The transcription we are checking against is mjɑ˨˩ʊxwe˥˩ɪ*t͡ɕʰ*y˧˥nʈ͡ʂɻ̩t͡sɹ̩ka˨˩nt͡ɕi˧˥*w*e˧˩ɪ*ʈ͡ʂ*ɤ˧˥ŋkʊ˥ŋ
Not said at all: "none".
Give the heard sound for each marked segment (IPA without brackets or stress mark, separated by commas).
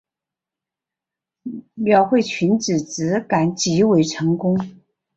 t͡ɕʰ, w, ʈ͡ʂʰ